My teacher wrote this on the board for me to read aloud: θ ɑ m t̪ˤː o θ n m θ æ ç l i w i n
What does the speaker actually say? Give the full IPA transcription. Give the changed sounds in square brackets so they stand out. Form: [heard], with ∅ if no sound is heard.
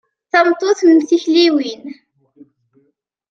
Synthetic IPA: θ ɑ m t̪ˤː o θ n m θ [i] ç l i w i n